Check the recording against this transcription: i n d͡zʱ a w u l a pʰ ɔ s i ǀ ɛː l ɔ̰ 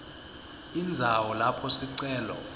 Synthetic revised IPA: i n d͡zʱ a w ɔ l a pʰ ɔ s i ǀ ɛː l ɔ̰